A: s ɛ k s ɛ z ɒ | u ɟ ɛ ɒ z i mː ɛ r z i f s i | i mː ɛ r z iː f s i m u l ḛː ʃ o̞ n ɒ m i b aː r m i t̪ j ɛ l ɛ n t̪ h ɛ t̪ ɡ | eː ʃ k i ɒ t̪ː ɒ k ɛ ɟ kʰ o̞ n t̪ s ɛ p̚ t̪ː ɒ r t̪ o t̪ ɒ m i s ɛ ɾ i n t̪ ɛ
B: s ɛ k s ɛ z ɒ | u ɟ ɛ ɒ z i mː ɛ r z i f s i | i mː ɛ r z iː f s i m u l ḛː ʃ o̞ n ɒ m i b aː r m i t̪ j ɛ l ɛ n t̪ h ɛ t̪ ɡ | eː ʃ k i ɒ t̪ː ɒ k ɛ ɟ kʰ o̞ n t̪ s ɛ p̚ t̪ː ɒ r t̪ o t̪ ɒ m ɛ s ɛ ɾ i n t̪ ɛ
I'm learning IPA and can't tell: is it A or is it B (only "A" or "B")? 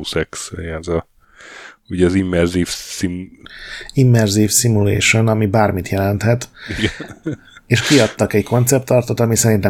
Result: A